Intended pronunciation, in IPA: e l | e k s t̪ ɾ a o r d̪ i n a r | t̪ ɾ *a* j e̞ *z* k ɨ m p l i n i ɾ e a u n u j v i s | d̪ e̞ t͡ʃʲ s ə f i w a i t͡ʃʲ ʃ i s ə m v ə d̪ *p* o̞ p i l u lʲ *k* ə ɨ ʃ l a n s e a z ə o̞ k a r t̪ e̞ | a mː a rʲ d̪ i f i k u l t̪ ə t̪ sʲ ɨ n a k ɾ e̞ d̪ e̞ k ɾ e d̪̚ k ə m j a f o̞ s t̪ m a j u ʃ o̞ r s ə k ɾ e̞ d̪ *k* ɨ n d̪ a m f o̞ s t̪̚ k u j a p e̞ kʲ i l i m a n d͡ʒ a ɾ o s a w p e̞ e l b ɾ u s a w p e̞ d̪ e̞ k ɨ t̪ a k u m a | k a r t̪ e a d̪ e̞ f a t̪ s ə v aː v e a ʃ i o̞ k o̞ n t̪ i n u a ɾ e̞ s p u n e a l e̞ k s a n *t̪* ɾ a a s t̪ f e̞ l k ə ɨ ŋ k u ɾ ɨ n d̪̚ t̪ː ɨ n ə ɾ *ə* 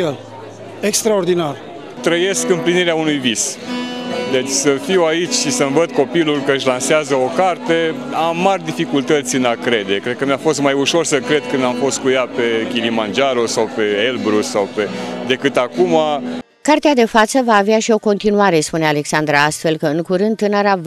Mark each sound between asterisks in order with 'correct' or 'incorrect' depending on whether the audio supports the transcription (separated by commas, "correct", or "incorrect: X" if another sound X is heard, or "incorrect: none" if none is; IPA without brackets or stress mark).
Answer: incorrect: ə, incorrect: s, incorrect: k, correct, correct, incorrect: d̪, incorrect: a